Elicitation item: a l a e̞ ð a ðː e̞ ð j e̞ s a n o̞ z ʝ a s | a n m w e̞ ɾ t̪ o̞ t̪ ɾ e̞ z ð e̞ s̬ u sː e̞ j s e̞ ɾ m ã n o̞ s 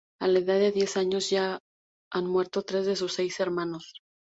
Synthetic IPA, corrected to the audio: a l a e̞ ð a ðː e̞ ð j e̞ s a ɲ o̞ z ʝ a | a n m w e̞ ɾ t̪ o̞ t̪ ɾ e̞ z ð e̞ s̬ u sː e̞ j s e̞ ɾ m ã n o̞ s